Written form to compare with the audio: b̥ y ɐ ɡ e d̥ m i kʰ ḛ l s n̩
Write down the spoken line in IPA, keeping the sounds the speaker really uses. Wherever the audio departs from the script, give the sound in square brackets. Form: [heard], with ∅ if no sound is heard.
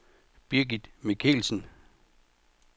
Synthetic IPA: b̥ [i] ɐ ɡ [i] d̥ m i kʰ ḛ l s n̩